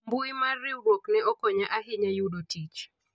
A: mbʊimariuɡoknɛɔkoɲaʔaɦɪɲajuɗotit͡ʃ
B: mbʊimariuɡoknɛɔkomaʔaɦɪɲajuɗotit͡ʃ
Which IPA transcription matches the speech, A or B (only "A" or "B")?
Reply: A